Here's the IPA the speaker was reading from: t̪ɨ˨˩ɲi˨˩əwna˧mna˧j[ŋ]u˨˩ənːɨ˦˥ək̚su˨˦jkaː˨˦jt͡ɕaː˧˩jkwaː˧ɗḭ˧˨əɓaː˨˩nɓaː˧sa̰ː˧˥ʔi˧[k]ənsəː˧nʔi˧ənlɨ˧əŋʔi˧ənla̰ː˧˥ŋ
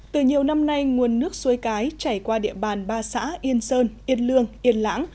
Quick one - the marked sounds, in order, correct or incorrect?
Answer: correct, incorrect

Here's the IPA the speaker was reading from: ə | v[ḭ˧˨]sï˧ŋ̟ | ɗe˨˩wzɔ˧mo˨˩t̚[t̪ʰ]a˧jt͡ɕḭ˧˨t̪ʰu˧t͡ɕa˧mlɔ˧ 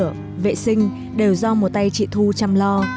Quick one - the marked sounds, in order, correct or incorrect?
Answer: incorrect, incorrect

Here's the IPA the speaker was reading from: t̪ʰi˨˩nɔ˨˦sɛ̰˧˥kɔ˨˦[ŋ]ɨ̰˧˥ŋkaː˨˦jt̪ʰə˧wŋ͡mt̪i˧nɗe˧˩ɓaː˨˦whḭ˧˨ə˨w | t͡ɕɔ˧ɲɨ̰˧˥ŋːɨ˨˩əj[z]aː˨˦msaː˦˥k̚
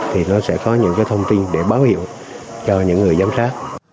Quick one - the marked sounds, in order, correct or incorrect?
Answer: incorrect, correct

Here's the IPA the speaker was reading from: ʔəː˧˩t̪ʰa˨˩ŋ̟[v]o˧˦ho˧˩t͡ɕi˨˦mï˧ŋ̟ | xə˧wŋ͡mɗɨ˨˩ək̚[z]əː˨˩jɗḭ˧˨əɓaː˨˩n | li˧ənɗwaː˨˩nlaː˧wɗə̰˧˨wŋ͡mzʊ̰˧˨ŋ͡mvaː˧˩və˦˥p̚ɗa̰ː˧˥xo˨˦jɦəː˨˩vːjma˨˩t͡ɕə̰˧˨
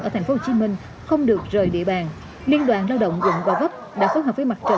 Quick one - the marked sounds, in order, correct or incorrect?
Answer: incorrect, correct

